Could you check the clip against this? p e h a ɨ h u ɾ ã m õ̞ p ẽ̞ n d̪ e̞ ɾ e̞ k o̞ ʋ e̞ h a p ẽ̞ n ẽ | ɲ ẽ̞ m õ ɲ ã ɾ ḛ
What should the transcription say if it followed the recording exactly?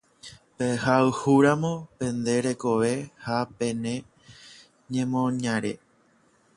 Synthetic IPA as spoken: p e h a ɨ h u ɾ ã m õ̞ p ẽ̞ n d̪ e̞ ɾ e̞ k o̞ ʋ e̞ h a p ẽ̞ n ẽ | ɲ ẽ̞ m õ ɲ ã ɾ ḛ